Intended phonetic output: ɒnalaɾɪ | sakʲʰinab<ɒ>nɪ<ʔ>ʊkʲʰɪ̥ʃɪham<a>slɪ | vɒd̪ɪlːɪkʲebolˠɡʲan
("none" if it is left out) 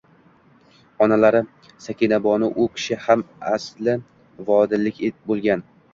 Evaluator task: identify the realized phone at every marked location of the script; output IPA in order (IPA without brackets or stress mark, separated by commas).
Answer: ɒ, ʔ, a